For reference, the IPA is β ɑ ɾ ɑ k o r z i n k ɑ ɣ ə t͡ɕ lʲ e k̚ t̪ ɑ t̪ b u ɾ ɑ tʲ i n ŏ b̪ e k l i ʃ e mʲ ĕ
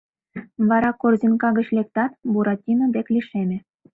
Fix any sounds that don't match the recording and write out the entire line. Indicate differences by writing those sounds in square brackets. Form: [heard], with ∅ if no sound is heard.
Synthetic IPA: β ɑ ɾ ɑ k o r z i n k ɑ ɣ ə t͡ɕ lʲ e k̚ t̪ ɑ t̪ b u ɾ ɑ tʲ i n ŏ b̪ e k l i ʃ e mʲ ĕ